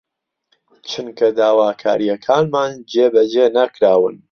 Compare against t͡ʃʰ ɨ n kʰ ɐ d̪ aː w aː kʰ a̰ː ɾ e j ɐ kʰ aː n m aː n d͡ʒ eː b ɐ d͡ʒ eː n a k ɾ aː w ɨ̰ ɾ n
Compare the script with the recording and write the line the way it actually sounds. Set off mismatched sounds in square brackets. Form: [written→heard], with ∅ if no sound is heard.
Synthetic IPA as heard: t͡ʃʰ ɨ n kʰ ɐ d̪ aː w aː kʰ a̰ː ɾ [e→i] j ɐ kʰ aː n m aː n d͡ʒ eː b ɐ d͡ʒ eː n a k ɾ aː w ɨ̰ [ɾ→∅] n